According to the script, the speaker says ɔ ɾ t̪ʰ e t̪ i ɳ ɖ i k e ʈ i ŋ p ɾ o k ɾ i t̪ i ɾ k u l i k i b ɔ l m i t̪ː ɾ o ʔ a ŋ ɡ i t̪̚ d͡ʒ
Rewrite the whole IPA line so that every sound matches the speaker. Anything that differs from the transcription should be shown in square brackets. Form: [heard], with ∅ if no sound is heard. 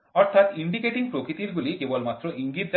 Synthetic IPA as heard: ɔ ɾ t̪ʰ [a] t̪ i ɳ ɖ i k e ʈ i ŋ p ɾ o k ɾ i t̪ i ɾ [ɡ] u l i k [e] b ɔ l m [a] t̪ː ɾ o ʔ [i] ŋ ɡ i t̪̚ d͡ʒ